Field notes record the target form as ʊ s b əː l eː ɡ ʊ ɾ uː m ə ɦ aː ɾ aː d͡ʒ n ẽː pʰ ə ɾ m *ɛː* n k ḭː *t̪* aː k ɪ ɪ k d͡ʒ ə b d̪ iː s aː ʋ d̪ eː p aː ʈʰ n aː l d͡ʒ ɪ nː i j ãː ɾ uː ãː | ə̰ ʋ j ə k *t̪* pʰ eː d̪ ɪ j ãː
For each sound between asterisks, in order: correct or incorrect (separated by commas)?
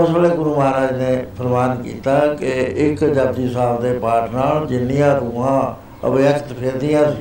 incorrect, correct, correct